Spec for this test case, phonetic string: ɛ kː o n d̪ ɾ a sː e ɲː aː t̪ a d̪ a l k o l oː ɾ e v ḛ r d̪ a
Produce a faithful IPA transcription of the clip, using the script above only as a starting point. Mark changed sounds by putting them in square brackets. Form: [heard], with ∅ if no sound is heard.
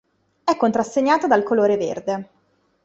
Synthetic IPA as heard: ɛ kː o n [t̪] ɾ a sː e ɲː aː t̪ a d̪ a l k o l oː ɾ e v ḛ r d̪ [e]

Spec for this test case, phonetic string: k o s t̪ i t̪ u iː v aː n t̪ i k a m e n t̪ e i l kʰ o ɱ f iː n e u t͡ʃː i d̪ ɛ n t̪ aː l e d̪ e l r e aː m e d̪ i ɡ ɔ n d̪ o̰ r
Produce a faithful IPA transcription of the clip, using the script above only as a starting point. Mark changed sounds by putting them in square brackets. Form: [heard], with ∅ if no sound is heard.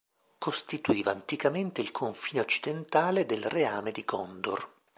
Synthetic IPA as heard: k o s t̪ i t̪ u iː v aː n t̪ i k a m e n t̪ e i l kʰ o ɱ f iː n e [o] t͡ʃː i d̪ [e] n t̪ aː l e d̪ e l r e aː m e d̪ i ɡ ɔ n d̪ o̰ r

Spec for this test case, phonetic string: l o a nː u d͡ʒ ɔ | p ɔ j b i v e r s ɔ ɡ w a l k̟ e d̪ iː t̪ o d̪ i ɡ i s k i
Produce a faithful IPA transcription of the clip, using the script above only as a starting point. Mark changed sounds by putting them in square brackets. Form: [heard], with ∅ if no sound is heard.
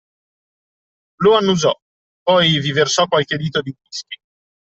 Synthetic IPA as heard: l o a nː u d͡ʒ ɔ | p ɔ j [v] i v e r s ɔ [k] w a l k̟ e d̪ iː t̪ o d̪ i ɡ i s k i

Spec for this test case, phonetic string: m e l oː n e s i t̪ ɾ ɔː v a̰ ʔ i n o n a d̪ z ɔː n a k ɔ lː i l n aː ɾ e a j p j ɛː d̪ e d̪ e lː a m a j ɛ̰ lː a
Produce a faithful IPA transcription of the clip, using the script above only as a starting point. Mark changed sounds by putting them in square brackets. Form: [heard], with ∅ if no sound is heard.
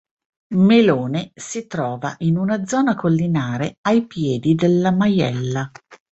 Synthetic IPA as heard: m e l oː n e s i t̪ ɾ ɔː v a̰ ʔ i n [u] n a d̪ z ɔː n a k [o] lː i [∅] n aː ɾ e a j p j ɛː d̪ [i] d̪ e lː a m a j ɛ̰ lː a

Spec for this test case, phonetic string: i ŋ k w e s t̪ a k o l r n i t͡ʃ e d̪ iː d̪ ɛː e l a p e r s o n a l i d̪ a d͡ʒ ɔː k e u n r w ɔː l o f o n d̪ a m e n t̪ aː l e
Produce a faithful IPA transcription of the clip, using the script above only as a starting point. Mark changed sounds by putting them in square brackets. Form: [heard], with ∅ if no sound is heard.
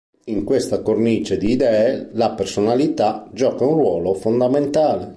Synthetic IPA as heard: i ŋ k w e s t̪ a k o [∅] r n i t͡ʃ e d̪ iː d̪ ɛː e l a p e r s o n a l i [t̪] a d͡ʒ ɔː k [a] u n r w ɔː l o f o n d̪ a m e n t̪ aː l e

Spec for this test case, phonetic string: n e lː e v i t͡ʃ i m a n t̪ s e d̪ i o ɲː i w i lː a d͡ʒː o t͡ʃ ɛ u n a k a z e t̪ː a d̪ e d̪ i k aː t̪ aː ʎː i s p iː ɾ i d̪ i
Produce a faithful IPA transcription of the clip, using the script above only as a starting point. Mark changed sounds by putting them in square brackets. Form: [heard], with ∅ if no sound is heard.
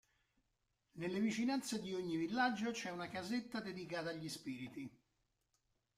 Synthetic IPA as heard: n e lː e v i t͡ʃ i [n] a n t̪ s e d̪ i o ɲː i [v] i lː a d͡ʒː o t͡ʃ ɛ u n a k a z e t̪ː a d̪ e d̪ i k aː t̪ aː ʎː i s p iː ɾ i [t̪] i

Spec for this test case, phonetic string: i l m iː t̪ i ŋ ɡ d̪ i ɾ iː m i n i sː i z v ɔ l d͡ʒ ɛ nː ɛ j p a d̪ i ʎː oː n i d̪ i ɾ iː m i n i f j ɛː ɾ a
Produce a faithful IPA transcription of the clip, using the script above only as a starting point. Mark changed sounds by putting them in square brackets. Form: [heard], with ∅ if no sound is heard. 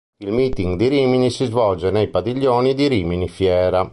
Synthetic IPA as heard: i l m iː t̪ i ŋ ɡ d̪ i ɾ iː m i n i [s] i z v ɔ l d͡ʒ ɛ [n] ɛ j p a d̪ i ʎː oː n i d̪ i ɾ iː m i n i f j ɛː ɾ a

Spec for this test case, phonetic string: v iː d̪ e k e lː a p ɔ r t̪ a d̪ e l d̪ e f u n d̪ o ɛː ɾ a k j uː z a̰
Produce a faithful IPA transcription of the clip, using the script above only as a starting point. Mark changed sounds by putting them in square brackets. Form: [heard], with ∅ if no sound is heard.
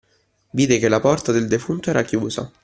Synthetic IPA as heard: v iː d̪ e k e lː a p ɔ r t̪ a d̪ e l d̪ e f u n [t̪] o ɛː ɾ a k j uː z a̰

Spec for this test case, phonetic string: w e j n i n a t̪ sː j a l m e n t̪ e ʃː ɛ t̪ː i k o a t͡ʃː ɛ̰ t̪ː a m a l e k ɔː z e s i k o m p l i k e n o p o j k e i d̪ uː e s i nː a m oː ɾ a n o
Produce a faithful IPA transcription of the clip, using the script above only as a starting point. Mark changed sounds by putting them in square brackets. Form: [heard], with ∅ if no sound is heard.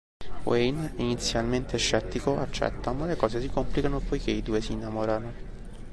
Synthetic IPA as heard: w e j n i n [i] t̪ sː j a l m e n t̪ e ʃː ɛ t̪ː i k o a t͡ʃː ɛ̰ t̪ː a m a l e k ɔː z e s i k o m p l i k [a] n o p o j k e i d̪ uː e s i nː a m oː ɾ a n o

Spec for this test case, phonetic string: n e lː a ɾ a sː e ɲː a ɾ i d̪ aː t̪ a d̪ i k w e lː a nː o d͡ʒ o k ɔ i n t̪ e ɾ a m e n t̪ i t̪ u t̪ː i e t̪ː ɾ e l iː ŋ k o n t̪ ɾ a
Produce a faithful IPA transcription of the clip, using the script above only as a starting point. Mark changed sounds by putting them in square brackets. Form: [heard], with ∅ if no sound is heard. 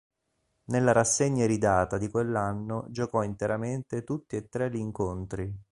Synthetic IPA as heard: n e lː a ɾ a sː e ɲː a ɾ i d̪ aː t̪ a d̪ i k w e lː a nː o d͡ʒ o k ɔ i n t̪ e ɾ a m e n t̪ [e] t̪ u t̪ː i e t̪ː ɾ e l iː ŋ k o n t̪ ɾ [i]

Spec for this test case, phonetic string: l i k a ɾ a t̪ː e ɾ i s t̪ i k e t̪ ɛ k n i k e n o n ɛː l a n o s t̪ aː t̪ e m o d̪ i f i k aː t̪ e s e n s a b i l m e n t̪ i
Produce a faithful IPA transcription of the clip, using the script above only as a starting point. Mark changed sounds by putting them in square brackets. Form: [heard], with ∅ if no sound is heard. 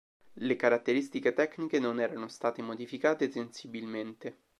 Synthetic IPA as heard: l [e] k a ɾ a t̪ː e ɾ i s t̪ i k e t̪ ɛ k n i k e n o n ɛː [ɾ] a n o s t̪ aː t̪ e m o d̪ i f i k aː t̪ e s e n s [i] b i l m e n t̪ [e]

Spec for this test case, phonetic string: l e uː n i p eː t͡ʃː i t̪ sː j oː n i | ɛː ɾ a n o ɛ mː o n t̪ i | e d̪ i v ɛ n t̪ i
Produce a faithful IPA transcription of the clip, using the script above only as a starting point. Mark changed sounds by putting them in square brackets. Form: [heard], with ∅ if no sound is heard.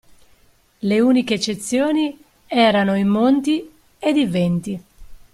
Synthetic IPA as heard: l e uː n i [k] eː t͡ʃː [e] t̪ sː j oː n i | ɛː ɾ a n o [i] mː o n t̪ i | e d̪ i v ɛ n t̪ i

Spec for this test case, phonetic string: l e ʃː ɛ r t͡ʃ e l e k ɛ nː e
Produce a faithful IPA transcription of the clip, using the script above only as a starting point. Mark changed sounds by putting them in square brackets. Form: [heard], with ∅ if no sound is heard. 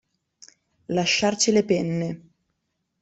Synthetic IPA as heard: l [a] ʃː [a] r t͡ʃ [i] l e [p] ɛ nː e

